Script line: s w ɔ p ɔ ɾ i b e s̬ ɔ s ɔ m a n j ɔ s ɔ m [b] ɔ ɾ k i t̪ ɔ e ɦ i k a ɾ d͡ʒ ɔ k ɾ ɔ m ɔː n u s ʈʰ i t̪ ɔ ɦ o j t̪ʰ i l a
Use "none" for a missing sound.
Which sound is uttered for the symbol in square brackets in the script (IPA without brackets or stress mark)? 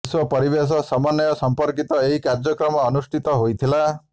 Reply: p